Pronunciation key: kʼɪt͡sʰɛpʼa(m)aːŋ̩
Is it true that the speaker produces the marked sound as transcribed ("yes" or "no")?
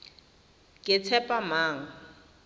yes